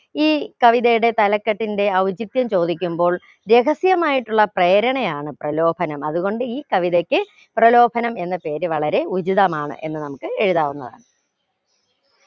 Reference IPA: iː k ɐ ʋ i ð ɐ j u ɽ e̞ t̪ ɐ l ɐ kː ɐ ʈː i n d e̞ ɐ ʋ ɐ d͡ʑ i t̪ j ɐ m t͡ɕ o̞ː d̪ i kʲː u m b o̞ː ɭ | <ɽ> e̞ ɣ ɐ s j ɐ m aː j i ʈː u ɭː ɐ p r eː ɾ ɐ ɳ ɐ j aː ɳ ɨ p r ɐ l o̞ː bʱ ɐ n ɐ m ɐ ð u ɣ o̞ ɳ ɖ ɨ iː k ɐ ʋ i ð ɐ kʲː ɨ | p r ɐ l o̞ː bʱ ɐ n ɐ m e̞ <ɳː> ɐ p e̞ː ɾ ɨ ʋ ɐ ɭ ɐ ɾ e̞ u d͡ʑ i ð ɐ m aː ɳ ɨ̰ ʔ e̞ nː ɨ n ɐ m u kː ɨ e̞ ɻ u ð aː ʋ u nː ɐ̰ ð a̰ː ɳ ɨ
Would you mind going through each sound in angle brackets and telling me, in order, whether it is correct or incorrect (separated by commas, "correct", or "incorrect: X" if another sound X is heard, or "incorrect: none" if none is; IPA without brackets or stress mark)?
incorrect: ɾ, incorrect: nː